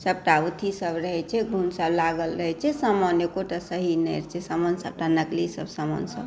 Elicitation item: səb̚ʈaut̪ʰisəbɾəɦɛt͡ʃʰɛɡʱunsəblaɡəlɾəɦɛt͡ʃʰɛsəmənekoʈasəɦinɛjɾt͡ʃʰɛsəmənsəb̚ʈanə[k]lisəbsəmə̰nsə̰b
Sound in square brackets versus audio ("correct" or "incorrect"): correct